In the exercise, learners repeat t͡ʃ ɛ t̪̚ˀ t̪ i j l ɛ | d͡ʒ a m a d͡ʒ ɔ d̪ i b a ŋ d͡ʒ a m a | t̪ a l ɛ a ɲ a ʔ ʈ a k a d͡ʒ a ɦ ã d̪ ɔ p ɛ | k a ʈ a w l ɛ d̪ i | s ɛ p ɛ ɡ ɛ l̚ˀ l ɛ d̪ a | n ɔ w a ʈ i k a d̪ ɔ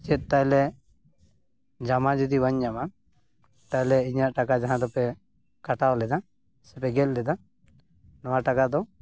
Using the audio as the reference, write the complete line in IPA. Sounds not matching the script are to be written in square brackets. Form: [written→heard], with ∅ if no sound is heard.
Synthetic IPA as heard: t͡ʃ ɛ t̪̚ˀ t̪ [i→a] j l ɛ | d͡ʒ a m a d͡ʒ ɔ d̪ i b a [ŋ→ɲ] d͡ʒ a m a | t̪ a l ɛ [a→i] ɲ a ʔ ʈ a k a d͡ʒ a ɦ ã d̪ ɔ p ɛ | k a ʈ a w l ɛ d̪ [i→a] | s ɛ p ɛ ɡ ɛ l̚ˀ l ɛ d̪ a | n ɔ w a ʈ [i→a] k a d̪ ɔ